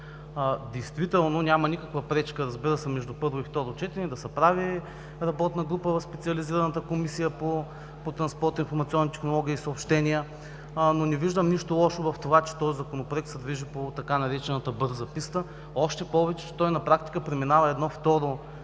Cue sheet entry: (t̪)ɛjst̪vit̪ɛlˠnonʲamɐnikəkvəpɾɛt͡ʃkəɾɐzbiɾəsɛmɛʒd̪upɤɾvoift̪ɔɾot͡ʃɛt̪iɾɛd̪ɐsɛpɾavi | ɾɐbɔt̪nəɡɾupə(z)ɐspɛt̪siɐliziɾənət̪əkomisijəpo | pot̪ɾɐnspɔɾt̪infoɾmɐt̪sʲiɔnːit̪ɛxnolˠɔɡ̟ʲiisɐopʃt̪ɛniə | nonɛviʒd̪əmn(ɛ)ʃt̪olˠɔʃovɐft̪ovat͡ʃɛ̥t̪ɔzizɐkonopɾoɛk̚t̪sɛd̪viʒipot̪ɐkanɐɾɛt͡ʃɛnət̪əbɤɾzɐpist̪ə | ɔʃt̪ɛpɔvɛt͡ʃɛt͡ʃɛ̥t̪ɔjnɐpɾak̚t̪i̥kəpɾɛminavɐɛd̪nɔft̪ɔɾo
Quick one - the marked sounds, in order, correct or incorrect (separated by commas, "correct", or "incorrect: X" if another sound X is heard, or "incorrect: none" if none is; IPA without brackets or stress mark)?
incorrect: d̪, incorrect: v, incorrect: i